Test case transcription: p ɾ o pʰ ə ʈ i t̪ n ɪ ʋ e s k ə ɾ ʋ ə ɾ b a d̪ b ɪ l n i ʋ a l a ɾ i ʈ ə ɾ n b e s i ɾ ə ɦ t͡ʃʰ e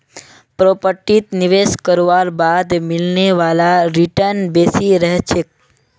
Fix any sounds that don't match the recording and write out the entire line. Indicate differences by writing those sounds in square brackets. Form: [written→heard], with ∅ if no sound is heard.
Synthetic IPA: p ɾ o [pʰ→p] ə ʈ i t̪ n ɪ ʋ e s k ə ɾ ʋ [ə→a] ɾ b a d̪ [b→m] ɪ l n [i→e] ʋ a l a ɾ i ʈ ə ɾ n b e s i ɾ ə ɦ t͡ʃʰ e